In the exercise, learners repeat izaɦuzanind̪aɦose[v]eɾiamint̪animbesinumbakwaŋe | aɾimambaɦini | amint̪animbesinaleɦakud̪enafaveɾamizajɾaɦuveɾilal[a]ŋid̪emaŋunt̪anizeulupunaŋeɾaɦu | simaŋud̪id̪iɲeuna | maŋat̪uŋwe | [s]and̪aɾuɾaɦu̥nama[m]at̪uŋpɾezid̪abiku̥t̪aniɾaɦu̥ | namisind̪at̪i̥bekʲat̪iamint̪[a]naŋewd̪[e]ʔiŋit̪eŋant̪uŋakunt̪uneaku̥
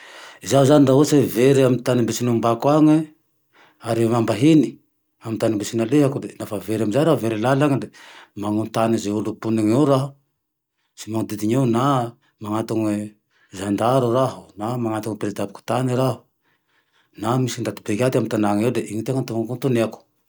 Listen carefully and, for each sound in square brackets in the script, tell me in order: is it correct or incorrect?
correct, correct, incorrect, incorrect, correct, correct

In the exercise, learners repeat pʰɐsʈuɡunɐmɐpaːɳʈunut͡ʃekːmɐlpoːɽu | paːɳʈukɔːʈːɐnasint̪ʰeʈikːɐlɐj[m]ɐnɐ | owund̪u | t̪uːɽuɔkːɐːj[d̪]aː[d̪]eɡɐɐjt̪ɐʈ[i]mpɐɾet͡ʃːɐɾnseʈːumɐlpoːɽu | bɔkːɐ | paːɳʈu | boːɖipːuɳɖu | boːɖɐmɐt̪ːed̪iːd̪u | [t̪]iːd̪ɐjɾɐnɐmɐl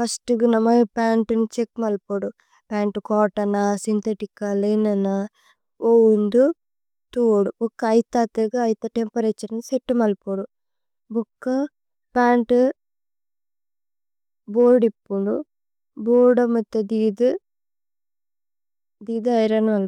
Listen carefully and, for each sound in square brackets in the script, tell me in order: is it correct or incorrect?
incorrect, incorrect, incorrect, incorrect, incorrect

